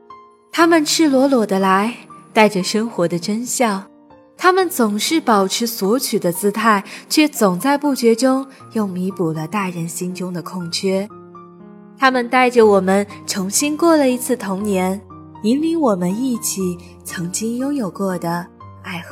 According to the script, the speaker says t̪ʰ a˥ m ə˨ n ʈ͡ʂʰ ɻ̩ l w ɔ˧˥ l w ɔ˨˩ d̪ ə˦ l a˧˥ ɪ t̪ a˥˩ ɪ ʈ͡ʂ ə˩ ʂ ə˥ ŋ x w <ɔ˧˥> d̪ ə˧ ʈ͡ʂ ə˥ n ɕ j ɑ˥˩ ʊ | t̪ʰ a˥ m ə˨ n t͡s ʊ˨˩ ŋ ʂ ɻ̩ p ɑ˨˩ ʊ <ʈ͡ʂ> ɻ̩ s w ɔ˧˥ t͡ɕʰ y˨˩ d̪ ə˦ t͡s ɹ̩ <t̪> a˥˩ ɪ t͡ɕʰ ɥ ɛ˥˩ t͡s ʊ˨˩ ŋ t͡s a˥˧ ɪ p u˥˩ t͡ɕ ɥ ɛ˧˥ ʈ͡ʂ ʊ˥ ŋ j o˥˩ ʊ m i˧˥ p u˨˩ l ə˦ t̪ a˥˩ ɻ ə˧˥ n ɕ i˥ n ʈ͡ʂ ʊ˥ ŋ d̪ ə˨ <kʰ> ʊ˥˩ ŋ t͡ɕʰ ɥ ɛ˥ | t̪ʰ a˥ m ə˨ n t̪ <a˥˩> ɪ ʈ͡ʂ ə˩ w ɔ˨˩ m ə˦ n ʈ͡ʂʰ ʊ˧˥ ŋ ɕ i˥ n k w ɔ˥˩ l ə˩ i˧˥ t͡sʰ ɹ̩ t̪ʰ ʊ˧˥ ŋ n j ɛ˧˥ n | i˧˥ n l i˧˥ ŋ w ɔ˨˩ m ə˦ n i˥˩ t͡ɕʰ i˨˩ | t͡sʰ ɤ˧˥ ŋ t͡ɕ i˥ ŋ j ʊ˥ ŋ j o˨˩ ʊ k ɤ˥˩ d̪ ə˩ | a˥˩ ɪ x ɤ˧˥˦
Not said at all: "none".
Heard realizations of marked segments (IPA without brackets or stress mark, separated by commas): ɔ˧˥, ʈ͡ʂʰ, t̪ʰ, kʰ, a˥˩